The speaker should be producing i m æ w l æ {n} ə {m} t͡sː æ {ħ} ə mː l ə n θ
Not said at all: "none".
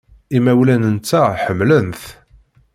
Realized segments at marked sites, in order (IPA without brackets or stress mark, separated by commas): n, n, ħ